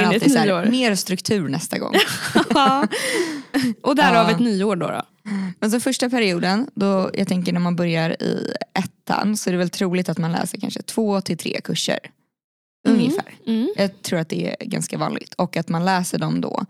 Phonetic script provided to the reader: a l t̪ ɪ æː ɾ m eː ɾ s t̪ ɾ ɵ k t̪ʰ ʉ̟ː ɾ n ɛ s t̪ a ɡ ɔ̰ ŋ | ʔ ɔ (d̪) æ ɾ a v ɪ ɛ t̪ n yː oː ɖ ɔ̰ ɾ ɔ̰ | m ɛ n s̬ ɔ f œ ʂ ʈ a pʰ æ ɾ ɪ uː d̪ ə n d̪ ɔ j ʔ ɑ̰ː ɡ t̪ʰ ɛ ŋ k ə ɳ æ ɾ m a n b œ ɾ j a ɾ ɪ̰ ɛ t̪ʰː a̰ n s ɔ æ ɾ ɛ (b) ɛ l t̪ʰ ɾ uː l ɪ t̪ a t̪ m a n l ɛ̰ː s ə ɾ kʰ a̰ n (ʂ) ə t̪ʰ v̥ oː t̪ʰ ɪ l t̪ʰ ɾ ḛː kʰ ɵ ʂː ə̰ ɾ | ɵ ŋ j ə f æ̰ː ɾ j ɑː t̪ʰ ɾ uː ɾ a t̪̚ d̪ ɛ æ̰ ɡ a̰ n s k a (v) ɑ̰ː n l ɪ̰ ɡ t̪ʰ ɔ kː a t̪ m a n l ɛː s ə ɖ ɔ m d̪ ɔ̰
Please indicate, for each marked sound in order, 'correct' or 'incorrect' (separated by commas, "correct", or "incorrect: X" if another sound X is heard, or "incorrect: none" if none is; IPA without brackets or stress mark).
correct, incorrect: v, correct, correct